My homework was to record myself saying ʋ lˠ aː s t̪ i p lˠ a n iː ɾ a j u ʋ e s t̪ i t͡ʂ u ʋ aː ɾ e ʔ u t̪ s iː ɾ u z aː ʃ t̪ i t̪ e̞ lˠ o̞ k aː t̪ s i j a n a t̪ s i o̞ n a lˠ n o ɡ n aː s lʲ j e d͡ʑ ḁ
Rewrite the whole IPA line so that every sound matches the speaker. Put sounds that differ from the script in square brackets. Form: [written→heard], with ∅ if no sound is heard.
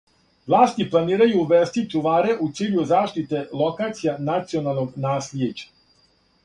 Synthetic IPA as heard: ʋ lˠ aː s t̪ i p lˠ a n iː ɾ a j u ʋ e s t̪ i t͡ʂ u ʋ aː ɾ e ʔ u t̪ s iː [ɾ→ʎ] u z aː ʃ t̪ i t̪ e̞ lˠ o̞ k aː t̪ s i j a n a t̪ s i o̞ n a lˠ n o ɡ n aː s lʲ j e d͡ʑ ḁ